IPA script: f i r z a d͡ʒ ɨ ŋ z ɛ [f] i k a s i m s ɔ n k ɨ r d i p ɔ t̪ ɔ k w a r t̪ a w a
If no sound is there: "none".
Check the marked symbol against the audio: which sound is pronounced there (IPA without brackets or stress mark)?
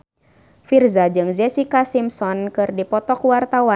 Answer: s